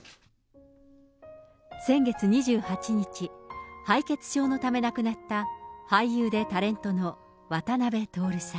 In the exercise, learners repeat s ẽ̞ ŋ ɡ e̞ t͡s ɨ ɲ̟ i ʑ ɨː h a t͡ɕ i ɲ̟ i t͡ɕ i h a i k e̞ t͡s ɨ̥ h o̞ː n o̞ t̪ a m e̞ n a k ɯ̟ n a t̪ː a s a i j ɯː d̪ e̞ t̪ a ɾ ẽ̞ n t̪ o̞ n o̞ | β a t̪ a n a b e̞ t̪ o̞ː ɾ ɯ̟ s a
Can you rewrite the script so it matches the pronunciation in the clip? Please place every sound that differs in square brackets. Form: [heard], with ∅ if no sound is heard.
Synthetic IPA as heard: s ẽ̞ ŋ ɡ e̞ t͡s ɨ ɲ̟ i ʑ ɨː h a t͡ɕ i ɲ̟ i t͡ɕ i h a i k e̞ t͡s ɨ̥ [ɕ] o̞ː n o̞ t̪ a m e̞ n a k ɯ̟ n a t̪ː a [h] a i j ɯː d̪ e̞ t̪ a ɾ ẽ̞ n t̪ o̞ n o̞ | β a t̪ a n a b e̞ t̪ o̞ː ɾ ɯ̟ s a